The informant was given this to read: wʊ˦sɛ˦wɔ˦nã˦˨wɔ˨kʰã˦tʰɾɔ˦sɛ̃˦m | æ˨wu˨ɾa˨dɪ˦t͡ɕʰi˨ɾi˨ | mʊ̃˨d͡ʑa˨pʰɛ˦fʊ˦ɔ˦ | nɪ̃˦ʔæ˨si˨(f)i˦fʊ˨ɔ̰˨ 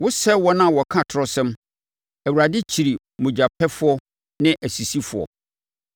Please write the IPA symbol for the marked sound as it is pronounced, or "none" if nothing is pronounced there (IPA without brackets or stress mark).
s